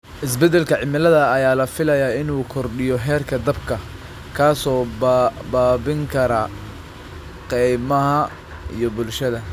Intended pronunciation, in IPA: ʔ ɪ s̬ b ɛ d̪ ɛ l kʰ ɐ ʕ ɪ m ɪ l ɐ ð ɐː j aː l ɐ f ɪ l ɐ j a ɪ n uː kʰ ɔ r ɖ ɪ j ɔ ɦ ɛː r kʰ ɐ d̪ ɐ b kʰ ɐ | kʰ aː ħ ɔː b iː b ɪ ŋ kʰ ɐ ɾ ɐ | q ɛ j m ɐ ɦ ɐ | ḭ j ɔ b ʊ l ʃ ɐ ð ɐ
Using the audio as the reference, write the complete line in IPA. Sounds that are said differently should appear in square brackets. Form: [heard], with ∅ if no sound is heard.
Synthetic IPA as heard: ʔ ɪ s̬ b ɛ d̪ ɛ l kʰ ɐ ʕ ɪ m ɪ l ɐ ð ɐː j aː l ɐ f ɪ l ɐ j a ɪ n uː kʰ ɔ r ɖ ɪ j ɔ ɦ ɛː r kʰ ɐ d̪ ɐ b kʰ ɐ | kʰ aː [s] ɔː b [aː] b ɪ ŋ kʰ ɐ ɾ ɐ | q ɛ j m ɐ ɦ ɐ | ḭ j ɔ b ʊ l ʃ ɐ ð ɐ